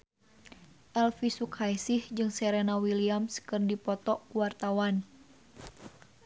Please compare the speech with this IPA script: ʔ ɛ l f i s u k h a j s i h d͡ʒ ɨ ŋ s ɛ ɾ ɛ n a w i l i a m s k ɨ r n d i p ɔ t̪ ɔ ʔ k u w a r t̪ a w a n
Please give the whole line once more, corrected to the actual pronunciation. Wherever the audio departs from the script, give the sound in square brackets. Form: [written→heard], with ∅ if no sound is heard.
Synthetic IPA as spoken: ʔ ɛ l f i s u k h a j s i h d͡ʒ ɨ ŋ s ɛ ɾ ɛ n a w i l i a m s k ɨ r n d i p ɔ t̪ ɔ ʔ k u w a r t̪ a w a n